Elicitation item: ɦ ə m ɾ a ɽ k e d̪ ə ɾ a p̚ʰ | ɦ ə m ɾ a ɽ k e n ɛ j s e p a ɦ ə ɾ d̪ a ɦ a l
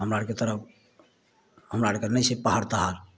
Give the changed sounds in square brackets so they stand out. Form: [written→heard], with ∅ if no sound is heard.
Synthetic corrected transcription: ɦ ə m ɾ a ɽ k e [d̪→t̪] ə ɾ [a→ə] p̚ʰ | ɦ ə m ɾ a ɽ k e n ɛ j s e p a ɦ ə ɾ [d̪→t̪] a ɦ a l